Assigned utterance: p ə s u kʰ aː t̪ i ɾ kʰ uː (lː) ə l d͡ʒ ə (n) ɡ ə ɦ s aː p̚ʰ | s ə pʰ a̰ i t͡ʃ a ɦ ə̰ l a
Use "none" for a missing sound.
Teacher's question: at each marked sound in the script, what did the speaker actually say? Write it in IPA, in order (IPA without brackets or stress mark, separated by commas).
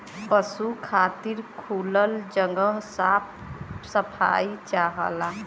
l, ŋ